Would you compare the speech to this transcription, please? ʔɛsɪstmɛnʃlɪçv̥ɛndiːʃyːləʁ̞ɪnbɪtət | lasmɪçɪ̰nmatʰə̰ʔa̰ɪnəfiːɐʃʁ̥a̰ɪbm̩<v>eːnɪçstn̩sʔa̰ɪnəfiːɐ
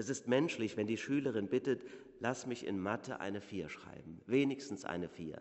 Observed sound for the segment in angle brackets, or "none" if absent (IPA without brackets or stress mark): v